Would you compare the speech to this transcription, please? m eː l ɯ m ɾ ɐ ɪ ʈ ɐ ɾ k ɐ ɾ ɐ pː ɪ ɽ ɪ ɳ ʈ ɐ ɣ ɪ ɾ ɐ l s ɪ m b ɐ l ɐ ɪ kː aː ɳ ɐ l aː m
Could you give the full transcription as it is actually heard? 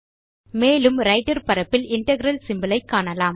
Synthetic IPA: m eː l ɯ m ɾ ɐ ɪ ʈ ɐ ɾ p ɐ ɾ ɐ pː ɪ l ɪ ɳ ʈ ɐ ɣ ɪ ɾ ɐ l s ɪ m b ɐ l ɐ ɪ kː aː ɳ ɐ l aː m